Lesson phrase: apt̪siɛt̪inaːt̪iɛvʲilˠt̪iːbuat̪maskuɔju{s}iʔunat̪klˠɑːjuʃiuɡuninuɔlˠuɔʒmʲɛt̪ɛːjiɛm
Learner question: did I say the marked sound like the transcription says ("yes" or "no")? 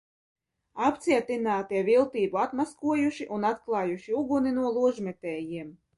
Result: no